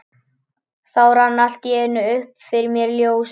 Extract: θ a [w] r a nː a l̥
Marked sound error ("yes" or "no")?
no